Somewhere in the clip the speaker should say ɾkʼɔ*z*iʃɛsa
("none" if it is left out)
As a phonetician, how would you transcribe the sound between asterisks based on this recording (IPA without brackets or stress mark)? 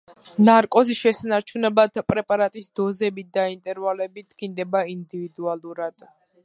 z